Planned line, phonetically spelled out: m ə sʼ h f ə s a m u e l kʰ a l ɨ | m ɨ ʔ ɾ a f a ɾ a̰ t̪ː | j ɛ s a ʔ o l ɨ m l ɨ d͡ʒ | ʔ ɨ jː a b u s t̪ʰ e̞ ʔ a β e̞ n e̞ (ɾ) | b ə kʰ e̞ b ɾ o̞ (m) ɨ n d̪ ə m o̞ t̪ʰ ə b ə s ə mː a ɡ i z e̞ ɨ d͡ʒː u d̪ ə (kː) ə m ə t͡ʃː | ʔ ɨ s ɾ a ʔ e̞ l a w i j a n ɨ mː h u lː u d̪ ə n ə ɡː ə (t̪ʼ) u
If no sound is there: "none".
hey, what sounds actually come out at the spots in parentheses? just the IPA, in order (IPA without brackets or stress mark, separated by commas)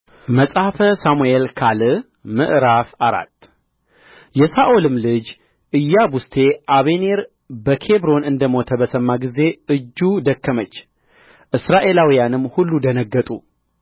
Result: ɾ, n, kː, t̪ʼ